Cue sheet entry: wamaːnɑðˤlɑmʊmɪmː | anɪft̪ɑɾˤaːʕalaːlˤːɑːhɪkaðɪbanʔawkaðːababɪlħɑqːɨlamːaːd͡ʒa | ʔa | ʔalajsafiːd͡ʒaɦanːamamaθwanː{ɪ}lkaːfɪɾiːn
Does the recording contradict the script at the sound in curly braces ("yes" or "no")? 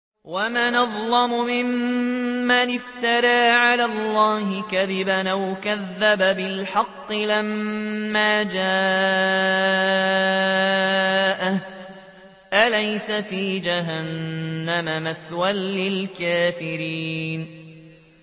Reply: no